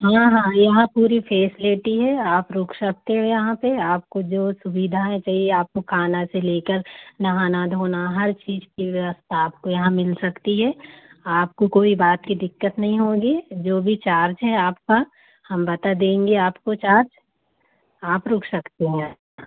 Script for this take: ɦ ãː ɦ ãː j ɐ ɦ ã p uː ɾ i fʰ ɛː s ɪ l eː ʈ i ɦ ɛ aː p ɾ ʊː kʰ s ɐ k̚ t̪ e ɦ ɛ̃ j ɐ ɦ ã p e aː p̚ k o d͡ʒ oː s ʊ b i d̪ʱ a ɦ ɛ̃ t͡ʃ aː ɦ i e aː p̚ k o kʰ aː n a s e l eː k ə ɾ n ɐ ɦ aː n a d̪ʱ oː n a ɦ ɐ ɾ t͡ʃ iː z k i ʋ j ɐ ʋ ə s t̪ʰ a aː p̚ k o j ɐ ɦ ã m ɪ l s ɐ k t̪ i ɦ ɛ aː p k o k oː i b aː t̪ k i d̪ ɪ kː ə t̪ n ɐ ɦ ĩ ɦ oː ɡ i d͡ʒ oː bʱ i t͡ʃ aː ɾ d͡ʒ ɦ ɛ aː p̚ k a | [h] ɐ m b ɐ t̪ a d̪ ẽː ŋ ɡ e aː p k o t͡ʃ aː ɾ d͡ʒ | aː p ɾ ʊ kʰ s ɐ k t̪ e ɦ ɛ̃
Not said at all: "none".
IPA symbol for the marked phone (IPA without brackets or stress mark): h